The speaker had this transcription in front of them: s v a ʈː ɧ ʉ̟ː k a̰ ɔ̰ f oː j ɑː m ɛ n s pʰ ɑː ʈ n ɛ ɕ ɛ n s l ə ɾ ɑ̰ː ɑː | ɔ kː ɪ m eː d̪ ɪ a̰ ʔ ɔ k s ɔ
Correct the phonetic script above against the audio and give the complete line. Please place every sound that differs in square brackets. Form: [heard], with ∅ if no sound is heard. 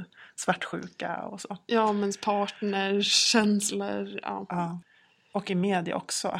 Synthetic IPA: s v a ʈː ɧ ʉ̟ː k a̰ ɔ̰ [s] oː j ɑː m ɛ n s pʰ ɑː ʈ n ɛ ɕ ɛ n s l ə ɾ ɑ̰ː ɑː | ɔ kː ɪ m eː d̪ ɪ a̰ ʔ ɔ k s ɔ